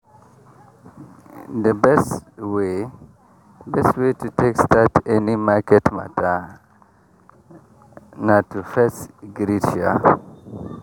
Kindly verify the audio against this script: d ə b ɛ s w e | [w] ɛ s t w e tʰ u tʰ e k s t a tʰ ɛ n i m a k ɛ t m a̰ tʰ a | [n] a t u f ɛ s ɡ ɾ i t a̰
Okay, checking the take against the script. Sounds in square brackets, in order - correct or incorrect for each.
incorrect: b, correct

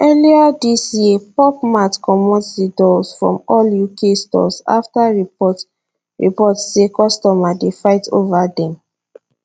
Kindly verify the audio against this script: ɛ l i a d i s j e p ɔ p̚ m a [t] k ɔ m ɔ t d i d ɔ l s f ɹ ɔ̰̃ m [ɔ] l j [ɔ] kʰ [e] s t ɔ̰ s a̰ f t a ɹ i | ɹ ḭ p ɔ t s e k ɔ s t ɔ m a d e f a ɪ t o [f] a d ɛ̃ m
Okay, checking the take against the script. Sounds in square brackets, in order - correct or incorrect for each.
correct, correct, incorrect: u, correct, incorrect: v

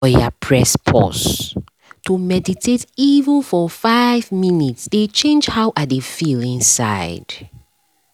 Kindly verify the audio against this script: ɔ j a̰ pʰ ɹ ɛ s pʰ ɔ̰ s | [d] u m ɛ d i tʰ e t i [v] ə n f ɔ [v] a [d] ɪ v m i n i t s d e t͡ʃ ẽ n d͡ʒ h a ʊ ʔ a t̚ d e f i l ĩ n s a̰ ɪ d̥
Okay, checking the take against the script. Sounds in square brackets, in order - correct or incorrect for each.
incorrect: t, correct, incorrect: f, incorrect: none

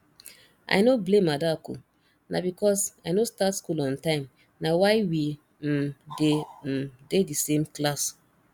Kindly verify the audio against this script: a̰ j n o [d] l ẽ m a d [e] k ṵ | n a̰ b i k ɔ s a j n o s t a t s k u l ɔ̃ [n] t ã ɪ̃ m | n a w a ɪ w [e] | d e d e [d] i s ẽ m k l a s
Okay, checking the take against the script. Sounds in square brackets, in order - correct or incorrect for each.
incorrect: b, incorrect: a, correct, incorrect: i, correct

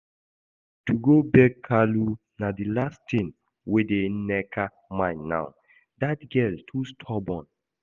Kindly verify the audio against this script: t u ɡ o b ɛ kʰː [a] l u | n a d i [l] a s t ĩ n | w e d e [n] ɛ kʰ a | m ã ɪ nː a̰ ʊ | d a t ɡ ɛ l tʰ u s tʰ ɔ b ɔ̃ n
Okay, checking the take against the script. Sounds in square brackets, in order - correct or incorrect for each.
correct, correct, correct

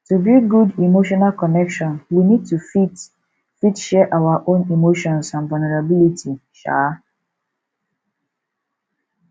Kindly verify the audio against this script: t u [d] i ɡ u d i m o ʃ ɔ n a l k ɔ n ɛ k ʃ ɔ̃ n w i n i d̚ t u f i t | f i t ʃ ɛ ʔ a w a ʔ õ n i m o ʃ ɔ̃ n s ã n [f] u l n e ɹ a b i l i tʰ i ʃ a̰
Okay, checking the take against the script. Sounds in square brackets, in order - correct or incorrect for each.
incorrect: b, incorrect: v

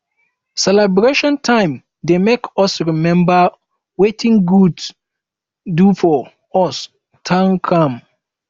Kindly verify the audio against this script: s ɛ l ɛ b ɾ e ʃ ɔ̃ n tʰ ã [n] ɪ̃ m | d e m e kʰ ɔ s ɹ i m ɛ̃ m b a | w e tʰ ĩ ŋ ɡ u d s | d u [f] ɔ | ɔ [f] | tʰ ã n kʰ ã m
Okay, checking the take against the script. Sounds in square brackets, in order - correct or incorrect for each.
incorrect: none, correct, incorrect: s

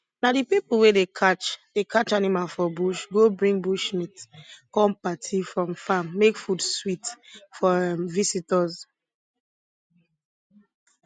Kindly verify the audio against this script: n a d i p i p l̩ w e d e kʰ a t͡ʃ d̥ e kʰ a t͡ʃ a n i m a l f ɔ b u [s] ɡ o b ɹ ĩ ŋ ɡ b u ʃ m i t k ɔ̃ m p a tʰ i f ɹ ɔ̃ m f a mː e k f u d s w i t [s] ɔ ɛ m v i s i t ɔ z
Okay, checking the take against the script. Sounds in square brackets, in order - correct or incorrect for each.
incorrect: ʃ, incorrect: f

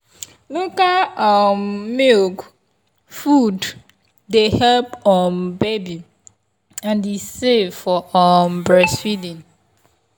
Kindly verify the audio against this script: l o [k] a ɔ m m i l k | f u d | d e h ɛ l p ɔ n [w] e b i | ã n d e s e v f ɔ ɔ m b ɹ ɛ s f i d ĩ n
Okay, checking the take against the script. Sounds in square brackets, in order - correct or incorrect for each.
correct, incorrect: b

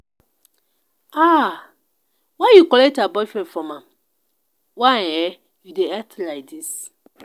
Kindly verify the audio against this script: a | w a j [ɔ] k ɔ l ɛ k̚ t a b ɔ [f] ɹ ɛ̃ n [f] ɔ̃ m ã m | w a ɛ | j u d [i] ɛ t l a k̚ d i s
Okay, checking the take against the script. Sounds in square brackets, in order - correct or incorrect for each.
incorrect: u, correct, correct, incorrect: e

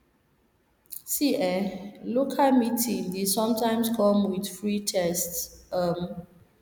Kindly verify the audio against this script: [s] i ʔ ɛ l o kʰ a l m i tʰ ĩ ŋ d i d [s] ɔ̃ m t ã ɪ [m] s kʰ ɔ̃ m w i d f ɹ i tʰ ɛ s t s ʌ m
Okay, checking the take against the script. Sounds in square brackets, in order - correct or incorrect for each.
correct, correct, correct

